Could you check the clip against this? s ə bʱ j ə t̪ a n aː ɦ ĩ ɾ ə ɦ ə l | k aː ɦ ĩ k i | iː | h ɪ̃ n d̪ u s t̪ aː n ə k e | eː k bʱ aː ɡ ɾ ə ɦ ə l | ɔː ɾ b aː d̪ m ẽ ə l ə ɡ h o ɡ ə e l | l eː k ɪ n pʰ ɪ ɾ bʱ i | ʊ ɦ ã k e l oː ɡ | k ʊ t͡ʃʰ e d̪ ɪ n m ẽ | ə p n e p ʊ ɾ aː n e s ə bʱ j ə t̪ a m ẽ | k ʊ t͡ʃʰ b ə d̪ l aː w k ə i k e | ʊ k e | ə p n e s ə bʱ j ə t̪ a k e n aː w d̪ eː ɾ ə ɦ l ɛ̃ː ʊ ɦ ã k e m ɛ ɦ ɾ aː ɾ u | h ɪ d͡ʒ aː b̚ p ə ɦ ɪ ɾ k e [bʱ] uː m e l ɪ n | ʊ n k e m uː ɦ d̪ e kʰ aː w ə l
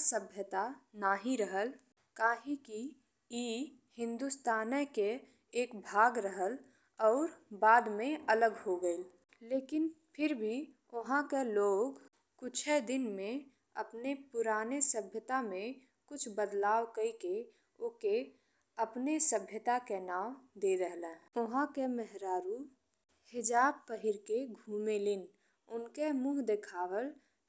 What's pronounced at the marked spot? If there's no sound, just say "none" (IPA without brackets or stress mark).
ɡʱ